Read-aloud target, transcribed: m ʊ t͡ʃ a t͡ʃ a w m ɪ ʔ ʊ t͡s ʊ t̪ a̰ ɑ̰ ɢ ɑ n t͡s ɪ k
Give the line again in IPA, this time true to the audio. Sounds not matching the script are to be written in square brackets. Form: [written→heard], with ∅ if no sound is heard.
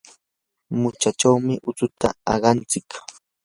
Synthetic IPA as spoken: m ʊ t͡ʃ a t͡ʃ a w m ɪ ʔ ʊ t͡s ʊ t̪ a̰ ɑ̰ ɢ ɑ n t͡s ɪ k